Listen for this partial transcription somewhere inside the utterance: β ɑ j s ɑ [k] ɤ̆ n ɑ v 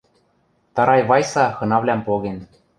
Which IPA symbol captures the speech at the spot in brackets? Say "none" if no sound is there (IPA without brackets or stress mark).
x